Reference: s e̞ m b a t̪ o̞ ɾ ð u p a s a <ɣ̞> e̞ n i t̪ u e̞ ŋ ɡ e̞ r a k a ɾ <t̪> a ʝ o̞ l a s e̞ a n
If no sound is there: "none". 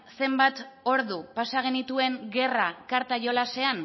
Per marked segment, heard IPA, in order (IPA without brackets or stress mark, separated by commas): ɣ̞, t̪